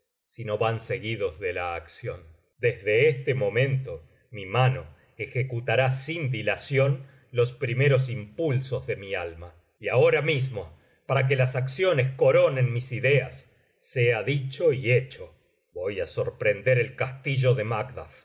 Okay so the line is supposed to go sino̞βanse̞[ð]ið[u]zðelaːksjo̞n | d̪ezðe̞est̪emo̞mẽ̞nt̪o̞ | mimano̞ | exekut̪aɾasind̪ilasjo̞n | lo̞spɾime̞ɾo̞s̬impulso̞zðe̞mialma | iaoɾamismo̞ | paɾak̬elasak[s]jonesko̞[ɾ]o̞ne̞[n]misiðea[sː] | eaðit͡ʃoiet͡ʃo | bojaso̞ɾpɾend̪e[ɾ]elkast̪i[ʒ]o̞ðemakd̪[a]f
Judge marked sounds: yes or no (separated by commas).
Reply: no, no, yes, yes, yes, yes, yes, yes, yes